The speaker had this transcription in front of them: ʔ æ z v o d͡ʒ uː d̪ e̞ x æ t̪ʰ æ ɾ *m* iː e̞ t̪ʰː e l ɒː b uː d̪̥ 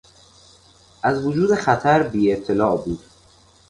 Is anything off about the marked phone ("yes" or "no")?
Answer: yes